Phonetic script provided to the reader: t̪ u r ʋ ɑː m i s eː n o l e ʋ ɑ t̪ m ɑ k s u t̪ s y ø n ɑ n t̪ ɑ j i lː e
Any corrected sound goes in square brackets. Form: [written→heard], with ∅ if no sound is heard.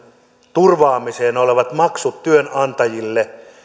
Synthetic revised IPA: t̪ u r ʋ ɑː m i s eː n o l e ʋ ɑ t̪ m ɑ k s u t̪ [s→t] y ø n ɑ n t̪ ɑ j i lː e